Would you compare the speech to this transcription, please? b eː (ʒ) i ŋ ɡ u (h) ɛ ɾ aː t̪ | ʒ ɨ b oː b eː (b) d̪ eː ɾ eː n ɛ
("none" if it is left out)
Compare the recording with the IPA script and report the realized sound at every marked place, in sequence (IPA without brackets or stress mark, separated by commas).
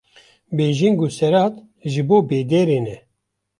ʒ, s, none